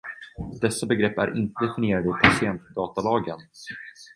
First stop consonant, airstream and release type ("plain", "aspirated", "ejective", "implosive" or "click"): plain